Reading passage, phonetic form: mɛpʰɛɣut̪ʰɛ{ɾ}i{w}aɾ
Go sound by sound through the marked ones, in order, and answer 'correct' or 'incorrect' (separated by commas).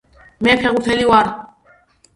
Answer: incorrect, correct